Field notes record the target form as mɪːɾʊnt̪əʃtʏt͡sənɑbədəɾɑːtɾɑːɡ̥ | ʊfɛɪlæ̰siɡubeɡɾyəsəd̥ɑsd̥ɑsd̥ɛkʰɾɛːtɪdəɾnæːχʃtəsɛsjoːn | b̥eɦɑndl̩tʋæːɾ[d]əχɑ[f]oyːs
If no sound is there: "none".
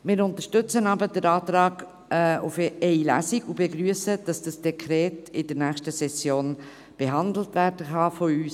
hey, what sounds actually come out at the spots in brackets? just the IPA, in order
d, f

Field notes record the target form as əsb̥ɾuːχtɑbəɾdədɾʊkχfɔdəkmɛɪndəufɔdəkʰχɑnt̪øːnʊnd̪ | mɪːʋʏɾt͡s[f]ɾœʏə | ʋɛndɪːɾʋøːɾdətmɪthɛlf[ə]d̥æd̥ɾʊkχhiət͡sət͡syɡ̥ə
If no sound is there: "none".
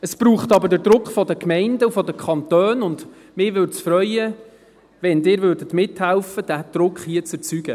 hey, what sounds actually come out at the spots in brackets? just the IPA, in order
f, ə

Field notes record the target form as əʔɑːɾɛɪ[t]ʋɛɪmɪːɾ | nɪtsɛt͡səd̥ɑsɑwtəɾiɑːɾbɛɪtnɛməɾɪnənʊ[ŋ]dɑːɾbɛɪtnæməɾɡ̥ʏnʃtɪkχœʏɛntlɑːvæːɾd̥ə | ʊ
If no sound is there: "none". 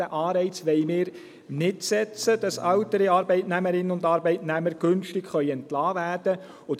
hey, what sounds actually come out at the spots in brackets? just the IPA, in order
t͡s, n

